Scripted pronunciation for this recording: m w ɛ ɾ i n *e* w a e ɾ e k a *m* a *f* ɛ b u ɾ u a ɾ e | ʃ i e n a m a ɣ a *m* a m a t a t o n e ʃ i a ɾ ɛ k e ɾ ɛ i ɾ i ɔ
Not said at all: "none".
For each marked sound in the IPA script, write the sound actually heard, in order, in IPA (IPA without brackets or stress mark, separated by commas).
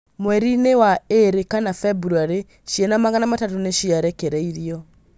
e, n, f, n